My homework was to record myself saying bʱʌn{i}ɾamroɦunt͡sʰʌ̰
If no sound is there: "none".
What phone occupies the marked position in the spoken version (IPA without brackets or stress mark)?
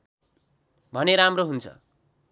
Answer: e